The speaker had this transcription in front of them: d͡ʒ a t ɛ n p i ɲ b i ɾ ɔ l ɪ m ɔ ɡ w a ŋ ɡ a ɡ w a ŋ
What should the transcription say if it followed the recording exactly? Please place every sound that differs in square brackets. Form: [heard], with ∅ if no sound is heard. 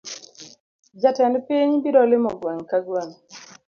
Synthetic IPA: d͡ʒ a t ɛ n p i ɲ b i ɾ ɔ l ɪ m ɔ ɡ w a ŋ [k] a ɡ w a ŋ